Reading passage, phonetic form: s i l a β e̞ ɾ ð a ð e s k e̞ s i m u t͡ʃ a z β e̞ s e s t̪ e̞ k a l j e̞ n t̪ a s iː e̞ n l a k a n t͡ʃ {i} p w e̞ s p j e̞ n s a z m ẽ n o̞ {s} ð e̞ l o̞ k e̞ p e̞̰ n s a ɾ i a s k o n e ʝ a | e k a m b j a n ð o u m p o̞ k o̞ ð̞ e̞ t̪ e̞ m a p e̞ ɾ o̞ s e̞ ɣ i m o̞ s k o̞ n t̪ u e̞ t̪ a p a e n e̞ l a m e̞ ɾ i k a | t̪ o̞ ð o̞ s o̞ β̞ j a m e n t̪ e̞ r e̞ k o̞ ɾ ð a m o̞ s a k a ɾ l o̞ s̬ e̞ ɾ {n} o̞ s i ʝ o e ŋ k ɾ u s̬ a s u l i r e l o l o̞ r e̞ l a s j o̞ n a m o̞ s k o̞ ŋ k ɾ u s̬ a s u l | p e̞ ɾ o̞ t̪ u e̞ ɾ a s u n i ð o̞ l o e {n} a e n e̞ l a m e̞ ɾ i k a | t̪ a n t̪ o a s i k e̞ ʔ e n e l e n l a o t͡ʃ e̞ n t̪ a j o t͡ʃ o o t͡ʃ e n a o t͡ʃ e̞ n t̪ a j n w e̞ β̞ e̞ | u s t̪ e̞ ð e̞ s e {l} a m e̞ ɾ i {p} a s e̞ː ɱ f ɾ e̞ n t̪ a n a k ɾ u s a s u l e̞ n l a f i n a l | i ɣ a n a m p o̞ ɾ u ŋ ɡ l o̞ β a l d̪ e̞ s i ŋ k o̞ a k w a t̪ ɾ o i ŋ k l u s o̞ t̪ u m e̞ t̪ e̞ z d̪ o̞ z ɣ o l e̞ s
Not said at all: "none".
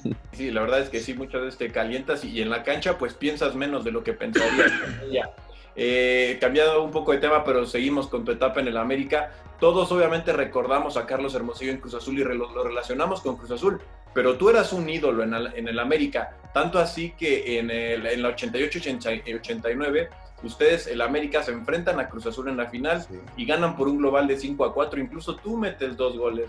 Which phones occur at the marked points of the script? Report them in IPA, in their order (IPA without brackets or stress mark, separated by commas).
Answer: a, z, m, n, l, k